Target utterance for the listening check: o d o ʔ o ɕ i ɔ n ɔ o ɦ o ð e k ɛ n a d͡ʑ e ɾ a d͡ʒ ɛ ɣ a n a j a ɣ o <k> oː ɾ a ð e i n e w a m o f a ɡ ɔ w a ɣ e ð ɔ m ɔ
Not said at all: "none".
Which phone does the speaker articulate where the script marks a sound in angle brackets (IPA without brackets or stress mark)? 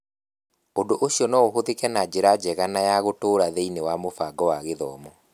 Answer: t